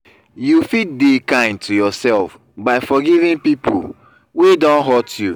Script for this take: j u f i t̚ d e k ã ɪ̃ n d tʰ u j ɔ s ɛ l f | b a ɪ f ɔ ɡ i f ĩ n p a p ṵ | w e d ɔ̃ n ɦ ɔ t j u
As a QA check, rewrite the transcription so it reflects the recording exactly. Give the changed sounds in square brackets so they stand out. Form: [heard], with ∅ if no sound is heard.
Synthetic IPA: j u f i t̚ d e k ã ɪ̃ n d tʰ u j ɔ s ɛ l f | b a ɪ f ɔ ɡ i [v] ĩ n p [i] p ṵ | w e d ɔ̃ n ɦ ɔ t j u